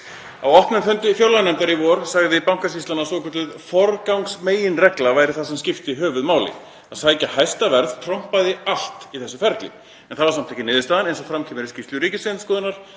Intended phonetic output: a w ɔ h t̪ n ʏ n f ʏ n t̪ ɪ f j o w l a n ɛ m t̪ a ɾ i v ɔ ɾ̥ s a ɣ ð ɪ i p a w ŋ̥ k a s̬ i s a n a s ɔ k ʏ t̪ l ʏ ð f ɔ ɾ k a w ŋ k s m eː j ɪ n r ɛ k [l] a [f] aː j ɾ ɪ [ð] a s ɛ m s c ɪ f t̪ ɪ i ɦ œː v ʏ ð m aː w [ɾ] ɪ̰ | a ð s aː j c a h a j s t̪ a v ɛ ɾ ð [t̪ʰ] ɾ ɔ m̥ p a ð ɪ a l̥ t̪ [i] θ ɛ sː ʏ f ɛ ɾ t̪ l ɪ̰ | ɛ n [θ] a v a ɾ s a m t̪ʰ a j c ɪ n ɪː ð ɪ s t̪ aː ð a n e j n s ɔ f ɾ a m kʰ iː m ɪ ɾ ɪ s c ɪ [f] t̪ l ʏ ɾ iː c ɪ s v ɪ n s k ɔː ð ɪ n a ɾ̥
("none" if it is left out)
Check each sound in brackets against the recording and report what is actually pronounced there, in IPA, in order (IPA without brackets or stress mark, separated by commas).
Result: l, v, θ, l, t̪ʰ, i, θ, f